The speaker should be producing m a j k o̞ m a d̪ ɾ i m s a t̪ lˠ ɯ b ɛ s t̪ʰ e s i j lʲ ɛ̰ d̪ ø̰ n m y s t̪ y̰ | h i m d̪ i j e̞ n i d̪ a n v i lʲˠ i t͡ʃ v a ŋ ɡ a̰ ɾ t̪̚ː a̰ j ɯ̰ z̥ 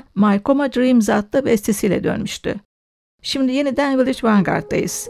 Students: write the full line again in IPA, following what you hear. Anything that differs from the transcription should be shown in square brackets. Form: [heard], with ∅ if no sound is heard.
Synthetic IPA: m a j k o̞ m a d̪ ɾ i m [z] a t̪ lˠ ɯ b ɛ s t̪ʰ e s i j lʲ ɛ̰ d̪ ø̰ n m y [ʃ] t̪ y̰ | [ʃ] i m d̪ i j e̞ n i d̪ [æ] n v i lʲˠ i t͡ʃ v a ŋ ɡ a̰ ɾ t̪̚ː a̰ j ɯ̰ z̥